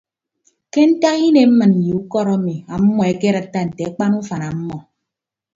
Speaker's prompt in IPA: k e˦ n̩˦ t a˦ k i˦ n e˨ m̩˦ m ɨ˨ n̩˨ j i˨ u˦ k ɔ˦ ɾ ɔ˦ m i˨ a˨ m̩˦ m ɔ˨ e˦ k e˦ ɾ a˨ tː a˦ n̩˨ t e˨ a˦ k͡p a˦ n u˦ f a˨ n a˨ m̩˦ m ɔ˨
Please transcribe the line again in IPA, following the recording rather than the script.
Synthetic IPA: k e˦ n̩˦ t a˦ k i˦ n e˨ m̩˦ m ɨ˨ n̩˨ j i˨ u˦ k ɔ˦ ɾ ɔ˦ m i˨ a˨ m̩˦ m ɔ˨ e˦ k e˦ ɾ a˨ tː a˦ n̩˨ t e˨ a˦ k͡p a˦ n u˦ f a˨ n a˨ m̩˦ m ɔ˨